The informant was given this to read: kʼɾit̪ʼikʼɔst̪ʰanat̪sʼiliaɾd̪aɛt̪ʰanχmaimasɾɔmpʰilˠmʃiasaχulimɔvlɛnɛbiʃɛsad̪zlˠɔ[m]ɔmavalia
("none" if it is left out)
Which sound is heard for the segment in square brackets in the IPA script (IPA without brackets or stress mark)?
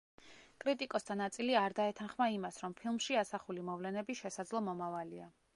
m